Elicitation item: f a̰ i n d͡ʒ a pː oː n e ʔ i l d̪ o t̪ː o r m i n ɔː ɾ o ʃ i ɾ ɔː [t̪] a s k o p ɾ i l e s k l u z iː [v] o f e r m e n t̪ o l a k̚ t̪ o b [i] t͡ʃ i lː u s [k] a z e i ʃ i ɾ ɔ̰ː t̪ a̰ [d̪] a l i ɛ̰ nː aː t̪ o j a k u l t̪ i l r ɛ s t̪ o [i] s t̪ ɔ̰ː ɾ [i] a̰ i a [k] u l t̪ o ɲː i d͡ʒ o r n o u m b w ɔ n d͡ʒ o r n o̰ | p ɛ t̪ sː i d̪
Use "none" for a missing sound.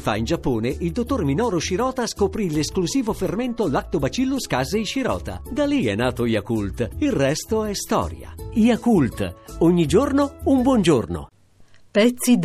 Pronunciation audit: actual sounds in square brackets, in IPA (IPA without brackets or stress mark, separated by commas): t̪, v, a, k, d̪, ɛ, j, k